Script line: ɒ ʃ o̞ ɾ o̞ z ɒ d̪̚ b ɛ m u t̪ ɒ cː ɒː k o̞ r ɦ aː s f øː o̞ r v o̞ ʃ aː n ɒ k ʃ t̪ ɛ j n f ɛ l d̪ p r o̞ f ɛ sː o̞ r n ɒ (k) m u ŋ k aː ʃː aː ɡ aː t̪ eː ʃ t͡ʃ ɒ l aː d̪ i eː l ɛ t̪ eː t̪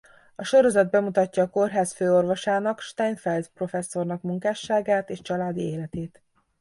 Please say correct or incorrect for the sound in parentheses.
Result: correct